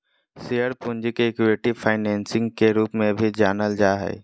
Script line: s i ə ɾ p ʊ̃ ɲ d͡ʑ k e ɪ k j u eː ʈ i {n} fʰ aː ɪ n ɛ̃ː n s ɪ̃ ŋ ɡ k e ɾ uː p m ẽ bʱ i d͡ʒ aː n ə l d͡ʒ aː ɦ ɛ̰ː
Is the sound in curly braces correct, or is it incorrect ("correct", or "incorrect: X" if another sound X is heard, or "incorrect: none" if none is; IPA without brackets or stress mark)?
incorrect: none